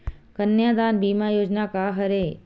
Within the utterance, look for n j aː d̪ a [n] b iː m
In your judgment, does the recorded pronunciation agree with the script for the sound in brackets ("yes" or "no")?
yes